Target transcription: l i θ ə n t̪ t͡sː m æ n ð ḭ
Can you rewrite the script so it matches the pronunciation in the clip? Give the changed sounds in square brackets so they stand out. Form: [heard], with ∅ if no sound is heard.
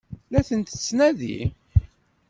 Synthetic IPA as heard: l [æ] θ ə n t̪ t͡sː [n] æ [∅] ð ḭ